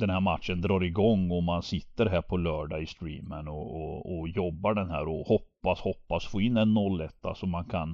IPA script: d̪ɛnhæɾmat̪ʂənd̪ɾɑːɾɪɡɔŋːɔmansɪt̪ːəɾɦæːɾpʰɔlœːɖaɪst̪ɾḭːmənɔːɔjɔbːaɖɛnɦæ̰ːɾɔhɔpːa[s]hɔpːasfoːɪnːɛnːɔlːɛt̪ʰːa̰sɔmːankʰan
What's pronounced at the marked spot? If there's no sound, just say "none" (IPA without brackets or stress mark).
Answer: s